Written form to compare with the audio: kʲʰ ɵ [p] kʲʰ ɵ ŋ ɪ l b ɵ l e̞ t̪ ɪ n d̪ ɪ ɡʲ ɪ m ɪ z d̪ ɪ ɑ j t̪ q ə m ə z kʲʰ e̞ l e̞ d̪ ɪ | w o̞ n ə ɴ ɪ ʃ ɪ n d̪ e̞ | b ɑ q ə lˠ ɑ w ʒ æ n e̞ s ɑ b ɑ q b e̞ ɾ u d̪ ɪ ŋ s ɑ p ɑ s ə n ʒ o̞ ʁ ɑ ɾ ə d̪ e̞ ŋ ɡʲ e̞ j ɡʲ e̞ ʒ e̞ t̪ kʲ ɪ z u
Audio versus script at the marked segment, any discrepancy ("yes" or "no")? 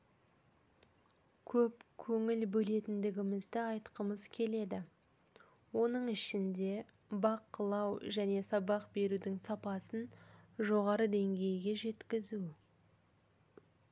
no